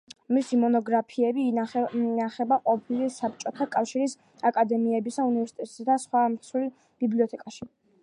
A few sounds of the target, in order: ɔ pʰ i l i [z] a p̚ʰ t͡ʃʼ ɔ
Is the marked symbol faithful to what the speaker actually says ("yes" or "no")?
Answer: no